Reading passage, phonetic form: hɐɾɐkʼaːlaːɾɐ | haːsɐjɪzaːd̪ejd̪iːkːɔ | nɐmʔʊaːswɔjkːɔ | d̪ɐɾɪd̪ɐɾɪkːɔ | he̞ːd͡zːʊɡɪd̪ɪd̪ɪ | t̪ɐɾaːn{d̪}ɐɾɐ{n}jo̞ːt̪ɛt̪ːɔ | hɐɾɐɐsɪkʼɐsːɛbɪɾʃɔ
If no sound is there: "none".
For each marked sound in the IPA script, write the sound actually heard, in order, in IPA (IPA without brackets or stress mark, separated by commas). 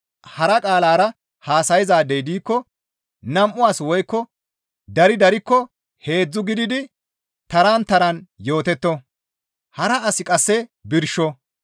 t̪, n